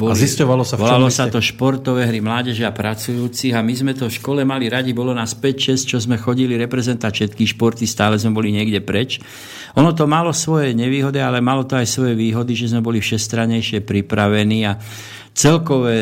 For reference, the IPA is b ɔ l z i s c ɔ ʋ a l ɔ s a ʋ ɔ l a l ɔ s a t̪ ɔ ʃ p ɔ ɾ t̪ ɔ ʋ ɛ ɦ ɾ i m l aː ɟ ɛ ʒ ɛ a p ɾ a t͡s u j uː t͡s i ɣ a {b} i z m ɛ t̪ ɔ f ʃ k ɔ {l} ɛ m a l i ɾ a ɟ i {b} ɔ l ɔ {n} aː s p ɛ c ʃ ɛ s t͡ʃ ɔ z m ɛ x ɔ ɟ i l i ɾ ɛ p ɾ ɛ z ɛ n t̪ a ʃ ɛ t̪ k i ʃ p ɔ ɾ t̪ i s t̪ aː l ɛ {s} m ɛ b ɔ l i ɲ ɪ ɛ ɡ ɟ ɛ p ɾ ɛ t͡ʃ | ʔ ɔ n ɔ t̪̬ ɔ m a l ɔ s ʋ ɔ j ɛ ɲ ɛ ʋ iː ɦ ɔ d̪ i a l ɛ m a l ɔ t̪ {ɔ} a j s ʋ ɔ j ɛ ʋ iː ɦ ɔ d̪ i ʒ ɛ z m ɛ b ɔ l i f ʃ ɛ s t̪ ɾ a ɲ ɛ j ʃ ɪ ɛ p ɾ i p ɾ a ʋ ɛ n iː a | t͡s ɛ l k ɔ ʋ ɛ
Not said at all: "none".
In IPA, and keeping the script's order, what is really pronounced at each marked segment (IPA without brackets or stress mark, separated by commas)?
m, l, b, n, z, ɔ